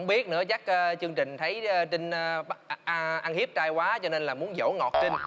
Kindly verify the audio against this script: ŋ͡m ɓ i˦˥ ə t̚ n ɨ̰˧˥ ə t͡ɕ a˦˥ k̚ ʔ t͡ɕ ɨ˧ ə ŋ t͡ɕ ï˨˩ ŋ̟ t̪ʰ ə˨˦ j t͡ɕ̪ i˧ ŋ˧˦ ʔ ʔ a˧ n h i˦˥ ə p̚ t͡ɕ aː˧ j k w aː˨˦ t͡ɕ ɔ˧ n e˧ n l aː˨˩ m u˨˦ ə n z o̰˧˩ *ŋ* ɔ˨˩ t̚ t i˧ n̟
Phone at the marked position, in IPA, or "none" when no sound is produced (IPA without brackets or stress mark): ŋ